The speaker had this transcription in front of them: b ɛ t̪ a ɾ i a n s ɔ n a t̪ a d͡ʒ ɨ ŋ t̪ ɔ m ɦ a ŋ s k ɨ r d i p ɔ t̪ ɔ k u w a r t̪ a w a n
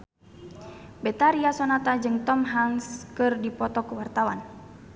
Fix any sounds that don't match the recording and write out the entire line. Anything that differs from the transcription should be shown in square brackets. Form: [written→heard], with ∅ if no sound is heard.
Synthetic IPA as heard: b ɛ t̪ a ɾ i a [n→∅] s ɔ n a t̪ a d͡ʒ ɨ ŋ t̪ ɔ m ɦ a ŋ s k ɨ r d i p ɔ t̪ ɔ k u w a r t̪ a w a n